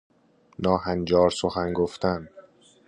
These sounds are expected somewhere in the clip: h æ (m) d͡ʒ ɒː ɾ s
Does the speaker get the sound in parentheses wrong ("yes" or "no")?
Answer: yes